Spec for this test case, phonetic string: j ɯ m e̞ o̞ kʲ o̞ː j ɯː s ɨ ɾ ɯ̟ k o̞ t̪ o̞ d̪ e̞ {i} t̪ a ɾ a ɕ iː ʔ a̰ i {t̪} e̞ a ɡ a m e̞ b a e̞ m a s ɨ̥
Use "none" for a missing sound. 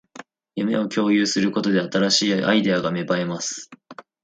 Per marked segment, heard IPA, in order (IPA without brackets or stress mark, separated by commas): a, d̪